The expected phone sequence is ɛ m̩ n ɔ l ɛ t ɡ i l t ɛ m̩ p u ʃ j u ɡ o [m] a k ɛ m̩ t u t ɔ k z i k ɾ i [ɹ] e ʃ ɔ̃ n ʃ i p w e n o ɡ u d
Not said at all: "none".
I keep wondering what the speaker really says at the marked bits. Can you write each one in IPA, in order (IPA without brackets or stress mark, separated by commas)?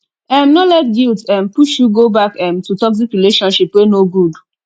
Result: b, l